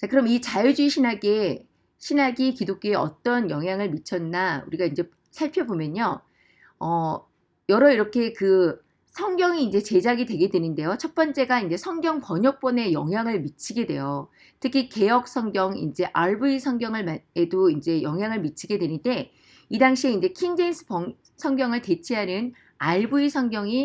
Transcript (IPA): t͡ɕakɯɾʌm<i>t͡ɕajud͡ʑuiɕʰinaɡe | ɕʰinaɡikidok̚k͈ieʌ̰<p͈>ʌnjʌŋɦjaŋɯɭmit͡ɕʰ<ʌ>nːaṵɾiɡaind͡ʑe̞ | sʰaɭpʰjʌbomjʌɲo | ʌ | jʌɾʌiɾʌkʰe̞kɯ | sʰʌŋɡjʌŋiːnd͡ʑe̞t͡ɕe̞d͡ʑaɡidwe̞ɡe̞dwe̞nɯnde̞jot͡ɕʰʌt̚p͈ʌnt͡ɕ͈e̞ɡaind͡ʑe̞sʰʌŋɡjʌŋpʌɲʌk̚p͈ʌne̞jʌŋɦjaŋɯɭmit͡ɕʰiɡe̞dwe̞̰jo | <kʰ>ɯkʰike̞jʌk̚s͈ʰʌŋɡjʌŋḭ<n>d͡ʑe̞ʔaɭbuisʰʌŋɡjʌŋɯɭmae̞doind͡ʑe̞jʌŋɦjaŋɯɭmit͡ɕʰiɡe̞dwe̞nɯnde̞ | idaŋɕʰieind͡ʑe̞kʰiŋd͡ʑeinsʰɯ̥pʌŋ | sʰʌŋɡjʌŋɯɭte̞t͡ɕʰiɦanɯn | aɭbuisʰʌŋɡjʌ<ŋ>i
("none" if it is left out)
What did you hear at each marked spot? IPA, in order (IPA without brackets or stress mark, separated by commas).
i, t͈, ʌ, tʰ, n, ŋ